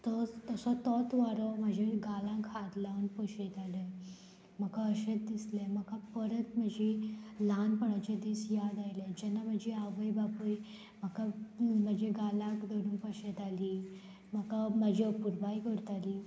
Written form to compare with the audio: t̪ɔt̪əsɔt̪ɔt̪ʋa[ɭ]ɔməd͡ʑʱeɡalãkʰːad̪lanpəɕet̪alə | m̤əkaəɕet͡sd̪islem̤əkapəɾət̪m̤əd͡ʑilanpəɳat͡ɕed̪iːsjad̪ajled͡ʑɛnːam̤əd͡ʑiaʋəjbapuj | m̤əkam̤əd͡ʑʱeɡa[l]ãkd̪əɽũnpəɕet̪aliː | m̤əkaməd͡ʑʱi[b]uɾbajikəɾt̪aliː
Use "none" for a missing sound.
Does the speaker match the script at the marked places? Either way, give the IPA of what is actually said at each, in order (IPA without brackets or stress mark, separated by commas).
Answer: ɾ, l, p